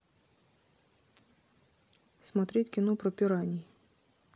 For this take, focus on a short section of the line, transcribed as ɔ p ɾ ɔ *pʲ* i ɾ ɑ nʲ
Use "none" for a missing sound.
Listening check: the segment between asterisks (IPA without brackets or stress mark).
pʲ